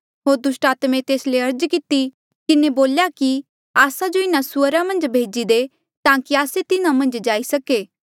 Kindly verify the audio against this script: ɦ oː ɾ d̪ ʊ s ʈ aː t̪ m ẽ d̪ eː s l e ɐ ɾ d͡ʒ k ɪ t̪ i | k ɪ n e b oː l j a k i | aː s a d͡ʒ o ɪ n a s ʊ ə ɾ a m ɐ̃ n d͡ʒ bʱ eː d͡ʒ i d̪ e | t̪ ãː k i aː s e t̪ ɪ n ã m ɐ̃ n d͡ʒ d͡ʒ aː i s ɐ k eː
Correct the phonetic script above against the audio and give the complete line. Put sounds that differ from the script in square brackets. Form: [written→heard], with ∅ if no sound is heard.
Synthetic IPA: ɦ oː ɾ d̪ ʊ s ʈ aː t̪ m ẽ [d̪→t̪] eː s l e ɐ ɾ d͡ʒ k ɪ t̪ i | k ɪ n e b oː l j a k i | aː s a d͡ʒ o ɪ n a s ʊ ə ɾ a m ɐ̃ n d͡ʒ bʱ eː d͡ʒ i d̪ e | t̪ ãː k i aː s e t̪ ɪ n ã m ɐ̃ n d͡ʒ d͡ʒ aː i s ɐ k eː